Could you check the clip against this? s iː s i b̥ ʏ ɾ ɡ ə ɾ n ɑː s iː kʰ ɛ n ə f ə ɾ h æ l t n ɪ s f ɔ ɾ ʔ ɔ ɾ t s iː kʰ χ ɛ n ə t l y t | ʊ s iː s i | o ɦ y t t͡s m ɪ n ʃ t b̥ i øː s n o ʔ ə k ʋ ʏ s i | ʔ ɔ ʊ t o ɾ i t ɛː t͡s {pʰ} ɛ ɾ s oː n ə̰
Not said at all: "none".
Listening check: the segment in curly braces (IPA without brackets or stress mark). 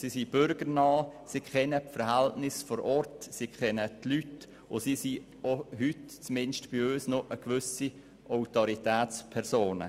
pʰ